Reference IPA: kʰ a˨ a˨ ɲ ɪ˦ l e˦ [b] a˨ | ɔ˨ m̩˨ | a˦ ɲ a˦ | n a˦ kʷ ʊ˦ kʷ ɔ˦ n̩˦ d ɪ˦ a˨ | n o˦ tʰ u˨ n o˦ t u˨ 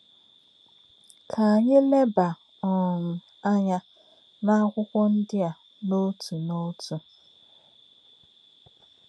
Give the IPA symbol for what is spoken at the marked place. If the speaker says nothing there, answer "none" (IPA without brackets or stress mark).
b